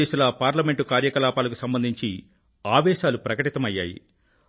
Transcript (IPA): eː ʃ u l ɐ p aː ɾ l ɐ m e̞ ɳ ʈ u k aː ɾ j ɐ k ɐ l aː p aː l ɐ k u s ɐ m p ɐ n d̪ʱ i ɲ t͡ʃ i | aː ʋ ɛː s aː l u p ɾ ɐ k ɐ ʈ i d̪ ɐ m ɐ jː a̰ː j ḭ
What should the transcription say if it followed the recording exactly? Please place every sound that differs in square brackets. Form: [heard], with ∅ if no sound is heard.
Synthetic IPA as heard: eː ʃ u l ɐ p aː ɾ l ɐ m e̞ ɳ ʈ u k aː ɾ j ɐ k ɐ l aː p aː l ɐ k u s ɐ m [b] ɐ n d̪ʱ i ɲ t͡ʃ i | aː ʋ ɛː [ʃ] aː l u p ɾ ɐ k ɐ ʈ i [t̪] ɐ m ɐ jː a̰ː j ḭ